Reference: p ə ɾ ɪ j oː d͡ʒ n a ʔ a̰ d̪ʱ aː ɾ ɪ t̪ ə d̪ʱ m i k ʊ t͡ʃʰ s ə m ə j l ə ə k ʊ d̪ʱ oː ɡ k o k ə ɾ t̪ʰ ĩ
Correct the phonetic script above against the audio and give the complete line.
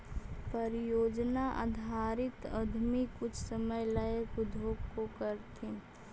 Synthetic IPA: p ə ɾ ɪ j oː d͡ʒ n a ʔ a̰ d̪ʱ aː ɾ ɪ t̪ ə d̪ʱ m i k ʊ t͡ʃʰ s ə m ə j l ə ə k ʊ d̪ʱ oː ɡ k o k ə ɾ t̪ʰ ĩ